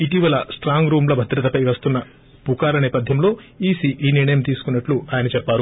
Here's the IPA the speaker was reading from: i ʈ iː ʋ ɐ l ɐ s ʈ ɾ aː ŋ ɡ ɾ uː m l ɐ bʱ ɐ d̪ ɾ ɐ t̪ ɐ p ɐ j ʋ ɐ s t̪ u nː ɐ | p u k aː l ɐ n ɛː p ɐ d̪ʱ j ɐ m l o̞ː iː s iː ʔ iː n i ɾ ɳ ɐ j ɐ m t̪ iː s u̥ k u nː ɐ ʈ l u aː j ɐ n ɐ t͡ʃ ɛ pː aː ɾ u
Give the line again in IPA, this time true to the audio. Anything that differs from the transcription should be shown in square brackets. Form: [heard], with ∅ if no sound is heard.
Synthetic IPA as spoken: i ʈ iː ʋ ɐ l ɐ s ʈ ɾ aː ŋ ɡ ɾ uː m l ɐ bʱ ɐ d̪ ɾ ɐ t̪ ɐ p ɐ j ʋ ɐ s t̪ u nː ɐ | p u k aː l ɐ n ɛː p ɐ d̪ʱ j ɐ m l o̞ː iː s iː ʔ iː n i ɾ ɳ ɐ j ɐ m t̪ iː s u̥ k u nː ɐ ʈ l u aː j ɐ n ɐ t͡ʃ ɛ pː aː ɾ u